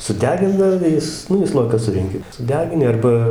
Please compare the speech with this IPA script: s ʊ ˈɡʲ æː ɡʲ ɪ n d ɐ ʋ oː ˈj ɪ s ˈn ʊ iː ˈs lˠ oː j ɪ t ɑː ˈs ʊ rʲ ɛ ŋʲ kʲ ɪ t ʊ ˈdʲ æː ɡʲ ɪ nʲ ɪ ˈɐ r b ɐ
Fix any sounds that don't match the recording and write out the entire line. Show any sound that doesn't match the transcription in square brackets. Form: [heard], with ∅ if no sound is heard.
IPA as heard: s ʊ [ˈdʲ] æː ɡʲ ɪ n d ɐ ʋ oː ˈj ɪ s ˈn ʊ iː ˈs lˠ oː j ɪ [k] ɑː ˈs ʊ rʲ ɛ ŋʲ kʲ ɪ [s] ʊ ˈdʲ æː ɡʲ ɪ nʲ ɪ ˈɐ r b ɐ